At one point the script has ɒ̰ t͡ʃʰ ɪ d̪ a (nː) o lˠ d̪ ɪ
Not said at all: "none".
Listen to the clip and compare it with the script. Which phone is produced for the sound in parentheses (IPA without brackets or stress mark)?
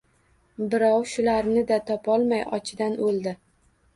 n